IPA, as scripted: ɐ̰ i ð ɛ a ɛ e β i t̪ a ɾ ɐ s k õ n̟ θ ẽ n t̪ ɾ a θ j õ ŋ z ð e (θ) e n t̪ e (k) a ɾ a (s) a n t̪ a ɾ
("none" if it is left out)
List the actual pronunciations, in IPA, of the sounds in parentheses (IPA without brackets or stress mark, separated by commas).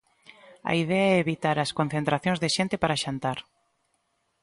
ʃ, p, ʃ